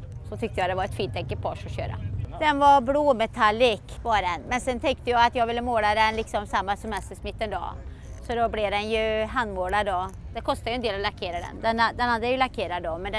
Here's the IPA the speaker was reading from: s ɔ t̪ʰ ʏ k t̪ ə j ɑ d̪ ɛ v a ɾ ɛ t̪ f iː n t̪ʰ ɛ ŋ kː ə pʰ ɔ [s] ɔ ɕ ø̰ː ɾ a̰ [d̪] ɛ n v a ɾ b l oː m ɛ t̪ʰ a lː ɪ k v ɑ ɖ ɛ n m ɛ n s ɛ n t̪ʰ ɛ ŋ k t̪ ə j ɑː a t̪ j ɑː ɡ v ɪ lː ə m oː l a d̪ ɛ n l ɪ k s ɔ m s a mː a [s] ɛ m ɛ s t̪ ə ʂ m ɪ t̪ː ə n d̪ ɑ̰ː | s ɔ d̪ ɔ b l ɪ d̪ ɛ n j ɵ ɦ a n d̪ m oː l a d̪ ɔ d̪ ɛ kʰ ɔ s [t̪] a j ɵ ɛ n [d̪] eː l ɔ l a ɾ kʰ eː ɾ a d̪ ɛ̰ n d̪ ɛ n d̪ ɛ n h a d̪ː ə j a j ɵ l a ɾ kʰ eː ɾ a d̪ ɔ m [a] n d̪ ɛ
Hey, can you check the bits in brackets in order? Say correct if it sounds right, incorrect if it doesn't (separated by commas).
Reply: incorrect, correct, correct, correct, correct, incorrect